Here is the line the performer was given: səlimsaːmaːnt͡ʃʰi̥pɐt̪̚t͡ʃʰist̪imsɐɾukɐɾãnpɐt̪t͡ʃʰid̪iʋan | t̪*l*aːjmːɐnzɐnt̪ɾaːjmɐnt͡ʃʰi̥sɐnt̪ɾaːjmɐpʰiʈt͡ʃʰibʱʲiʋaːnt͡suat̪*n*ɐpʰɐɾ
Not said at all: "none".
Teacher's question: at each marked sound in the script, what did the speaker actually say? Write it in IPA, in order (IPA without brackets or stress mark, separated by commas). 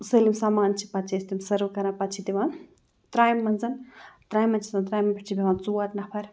ɾ, n